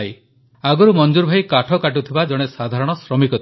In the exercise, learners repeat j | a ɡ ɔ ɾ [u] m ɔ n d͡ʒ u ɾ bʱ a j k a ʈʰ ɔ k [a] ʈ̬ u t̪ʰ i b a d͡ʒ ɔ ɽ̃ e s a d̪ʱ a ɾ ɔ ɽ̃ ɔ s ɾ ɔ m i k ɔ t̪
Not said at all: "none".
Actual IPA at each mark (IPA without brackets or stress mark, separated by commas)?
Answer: u, a